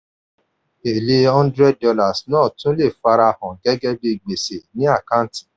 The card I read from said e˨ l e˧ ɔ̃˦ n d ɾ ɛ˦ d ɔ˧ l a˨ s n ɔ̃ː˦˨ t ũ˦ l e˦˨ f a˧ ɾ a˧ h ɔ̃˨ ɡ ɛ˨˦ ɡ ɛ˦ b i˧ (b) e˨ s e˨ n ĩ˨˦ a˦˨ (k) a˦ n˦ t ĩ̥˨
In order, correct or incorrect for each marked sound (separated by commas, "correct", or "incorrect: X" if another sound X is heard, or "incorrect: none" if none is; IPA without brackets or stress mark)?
incorrect: ɡ͡b, correct